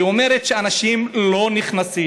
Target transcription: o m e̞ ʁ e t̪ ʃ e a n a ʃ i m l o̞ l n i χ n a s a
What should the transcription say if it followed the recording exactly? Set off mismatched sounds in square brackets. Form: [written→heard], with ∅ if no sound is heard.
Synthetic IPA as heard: o m e̞ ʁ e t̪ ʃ e a n a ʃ i m l o̞ [l→∅] n i χ n a s [a→i]